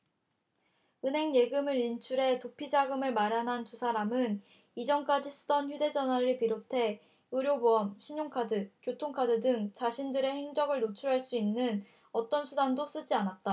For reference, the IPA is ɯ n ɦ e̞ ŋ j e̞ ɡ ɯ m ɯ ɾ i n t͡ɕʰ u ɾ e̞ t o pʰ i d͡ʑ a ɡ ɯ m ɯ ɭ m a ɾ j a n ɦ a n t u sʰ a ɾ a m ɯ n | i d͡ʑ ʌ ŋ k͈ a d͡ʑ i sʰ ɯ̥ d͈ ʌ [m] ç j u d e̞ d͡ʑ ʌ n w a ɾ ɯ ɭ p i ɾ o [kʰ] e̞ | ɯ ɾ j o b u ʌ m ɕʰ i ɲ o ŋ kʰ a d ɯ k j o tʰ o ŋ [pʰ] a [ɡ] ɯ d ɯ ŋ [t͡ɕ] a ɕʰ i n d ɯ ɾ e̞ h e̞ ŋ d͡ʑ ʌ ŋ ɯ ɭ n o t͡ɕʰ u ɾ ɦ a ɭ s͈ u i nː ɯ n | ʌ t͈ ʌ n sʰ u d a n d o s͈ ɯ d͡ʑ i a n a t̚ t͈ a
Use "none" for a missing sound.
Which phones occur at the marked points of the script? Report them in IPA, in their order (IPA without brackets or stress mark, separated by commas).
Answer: n, tʰ, kʰ, d, t͡ɕ